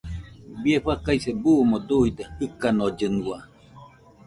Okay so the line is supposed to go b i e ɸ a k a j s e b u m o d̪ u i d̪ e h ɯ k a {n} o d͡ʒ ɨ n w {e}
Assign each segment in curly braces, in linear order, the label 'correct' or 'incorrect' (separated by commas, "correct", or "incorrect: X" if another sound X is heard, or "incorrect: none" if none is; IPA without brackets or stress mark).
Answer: correct, incorrect: a